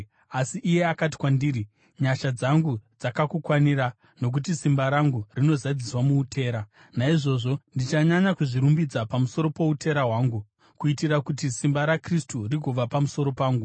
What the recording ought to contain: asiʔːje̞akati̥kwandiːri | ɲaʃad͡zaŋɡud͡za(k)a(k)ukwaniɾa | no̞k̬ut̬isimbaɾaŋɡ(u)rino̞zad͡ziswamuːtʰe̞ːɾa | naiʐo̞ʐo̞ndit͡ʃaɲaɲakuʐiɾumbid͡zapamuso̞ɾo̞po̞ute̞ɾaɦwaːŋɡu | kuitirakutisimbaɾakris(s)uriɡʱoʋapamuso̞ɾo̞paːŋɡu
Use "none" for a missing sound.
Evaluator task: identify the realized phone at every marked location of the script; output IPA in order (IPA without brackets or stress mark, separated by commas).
k, k, u, t